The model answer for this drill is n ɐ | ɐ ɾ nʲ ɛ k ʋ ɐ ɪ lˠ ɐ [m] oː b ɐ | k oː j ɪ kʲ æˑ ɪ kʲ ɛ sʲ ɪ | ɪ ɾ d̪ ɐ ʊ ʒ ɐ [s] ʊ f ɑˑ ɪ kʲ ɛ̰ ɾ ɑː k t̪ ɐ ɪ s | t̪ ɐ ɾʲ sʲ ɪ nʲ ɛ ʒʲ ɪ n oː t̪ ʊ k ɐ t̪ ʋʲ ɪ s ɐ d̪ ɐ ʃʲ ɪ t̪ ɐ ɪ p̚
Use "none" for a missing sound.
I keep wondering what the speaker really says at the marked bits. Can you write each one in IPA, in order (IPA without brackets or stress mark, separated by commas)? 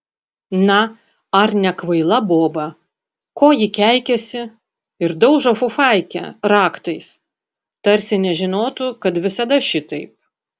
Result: b, f